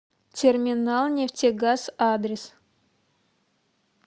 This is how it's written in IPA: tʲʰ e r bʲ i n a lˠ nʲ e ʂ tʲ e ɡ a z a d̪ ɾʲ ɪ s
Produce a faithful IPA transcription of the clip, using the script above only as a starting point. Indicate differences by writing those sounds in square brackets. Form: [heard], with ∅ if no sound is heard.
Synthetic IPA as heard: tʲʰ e r [mʲ] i n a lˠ nʲ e [f] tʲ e ɡ a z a d̪ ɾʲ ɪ s

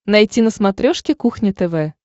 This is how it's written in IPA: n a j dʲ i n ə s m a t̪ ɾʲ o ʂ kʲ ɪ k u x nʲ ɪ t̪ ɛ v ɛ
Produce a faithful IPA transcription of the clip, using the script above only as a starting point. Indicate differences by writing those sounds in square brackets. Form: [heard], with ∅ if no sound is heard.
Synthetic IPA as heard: n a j [tʲ] i n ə s m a t̪ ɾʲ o ʂ kʲ ɪ k u x nʲ ɪ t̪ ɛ v ɛ

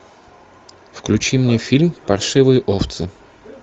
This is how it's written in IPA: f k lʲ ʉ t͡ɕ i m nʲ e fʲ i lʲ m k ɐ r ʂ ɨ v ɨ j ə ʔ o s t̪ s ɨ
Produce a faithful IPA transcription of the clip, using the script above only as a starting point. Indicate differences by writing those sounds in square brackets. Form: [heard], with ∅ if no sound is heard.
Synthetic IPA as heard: f k lʲ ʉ t͡ɕ i m nʲ e fʲ i lʲ m [p] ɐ r ʂ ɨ v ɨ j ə ʔ o [f] t̪ s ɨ

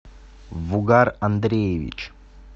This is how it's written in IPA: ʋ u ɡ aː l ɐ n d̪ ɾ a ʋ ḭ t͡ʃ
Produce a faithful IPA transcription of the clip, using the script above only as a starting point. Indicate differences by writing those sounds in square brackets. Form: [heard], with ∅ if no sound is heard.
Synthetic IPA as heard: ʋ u ɡ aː [ɾ] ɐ n d̪ ɾ [e] ʋ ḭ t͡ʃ

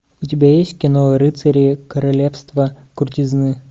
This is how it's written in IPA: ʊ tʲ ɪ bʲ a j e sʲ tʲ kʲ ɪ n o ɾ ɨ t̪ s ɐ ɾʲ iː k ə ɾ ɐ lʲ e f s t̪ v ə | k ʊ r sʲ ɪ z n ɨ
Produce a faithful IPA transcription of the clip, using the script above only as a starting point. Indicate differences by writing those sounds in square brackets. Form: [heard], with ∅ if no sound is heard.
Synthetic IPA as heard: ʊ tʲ ɪ bʲ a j e sʲ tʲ kʲ ɪ n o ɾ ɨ t̪ s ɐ ɾʲ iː k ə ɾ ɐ lʲ e f s t̪ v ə | k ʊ r [tʲ] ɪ z n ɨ

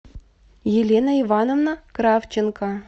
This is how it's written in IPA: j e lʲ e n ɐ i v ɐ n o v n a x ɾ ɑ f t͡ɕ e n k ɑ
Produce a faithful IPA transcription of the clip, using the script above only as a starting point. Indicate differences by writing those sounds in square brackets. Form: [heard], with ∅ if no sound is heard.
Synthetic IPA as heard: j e lʲ e n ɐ i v [ɑ] n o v n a [k] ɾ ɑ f t͡ɕ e n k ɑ

